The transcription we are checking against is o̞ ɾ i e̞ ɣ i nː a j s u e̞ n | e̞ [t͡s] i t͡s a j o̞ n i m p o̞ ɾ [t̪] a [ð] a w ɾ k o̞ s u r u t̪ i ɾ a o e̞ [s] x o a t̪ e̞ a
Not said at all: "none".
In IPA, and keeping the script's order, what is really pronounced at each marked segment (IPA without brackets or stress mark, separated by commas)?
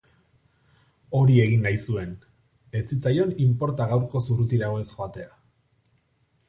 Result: t͡s, t̪, ɣ, s